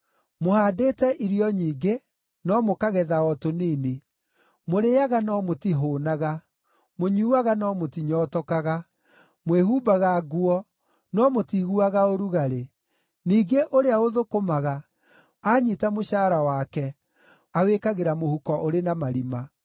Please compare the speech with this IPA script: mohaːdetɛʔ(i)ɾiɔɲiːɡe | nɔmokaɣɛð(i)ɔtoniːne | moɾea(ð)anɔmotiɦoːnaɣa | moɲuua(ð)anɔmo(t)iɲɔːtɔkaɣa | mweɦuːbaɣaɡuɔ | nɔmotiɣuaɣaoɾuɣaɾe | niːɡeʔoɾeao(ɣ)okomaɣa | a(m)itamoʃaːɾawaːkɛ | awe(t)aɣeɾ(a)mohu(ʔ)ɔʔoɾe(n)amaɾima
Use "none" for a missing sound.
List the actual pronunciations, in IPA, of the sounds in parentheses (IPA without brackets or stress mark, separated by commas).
i, a, ɣ, ɣ, t, ð, ɲ, k, a, k, n